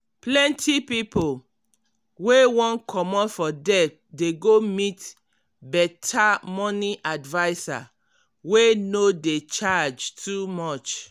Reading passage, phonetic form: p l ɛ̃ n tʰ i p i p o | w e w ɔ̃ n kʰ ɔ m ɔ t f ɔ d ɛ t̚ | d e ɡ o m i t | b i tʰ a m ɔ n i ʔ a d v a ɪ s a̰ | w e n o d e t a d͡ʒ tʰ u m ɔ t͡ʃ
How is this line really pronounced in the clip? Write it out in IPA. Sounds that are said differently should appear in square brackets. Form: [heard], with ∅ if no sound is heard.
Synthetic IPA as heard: p l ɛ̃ n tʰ i p i p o | w e w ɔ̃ n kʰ ɔ m ɔ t f ɔ d ɛ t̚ | d e ɡ o m i t | b [ɛ] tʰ a m ɔ n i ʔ a d v a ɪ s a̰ | w e n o d e [t͡ʃ] a d͡ʒ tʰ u m ɔ t͡ʃ